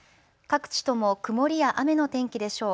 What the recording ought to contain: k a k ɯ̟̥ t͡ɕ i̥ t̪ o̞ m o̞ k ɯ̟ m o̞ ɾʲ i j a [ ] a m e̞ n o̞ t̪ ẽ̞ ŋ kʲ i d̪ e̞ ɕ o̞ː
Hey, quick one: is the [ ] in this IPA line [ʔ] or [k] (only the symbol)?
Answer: ʔ